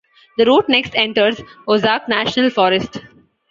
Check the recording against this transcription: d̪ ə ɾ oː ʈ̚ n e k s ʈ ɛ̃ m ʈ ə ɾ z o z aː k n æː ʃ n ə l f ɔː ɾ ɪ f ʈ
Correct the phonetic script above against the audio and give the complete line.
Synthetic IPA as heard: d̪ ə ɾ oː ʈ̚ n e k s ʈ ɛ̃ ɳ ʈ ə ɾ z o z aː k n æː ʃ n ə l f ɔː ɾ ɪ s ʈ